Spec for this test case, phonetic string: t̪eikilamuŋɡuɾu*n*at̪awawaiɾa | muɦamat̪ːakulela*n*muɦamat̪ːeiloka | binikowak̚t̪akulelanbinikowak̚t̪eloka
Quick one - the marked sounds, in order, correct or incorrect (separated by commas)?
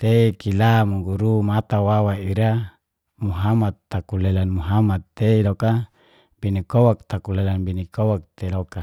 incorrect, correct